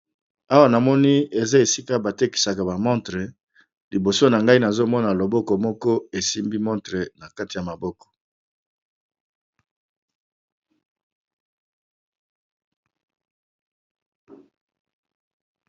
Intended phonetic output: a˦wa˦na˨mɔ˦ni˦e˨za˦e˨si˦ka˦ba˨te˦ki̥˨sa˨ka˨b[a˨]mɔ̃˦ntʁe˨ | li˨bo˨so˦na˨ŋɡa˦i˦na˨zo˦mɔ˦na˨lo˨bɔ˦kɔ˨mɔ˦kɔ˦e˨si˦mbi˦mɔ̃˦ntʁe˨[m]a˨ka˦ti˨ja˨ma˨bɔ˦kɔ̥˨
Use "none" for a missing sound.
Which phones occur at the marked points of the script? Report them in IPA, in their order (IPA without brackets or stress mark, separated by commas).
a˨, n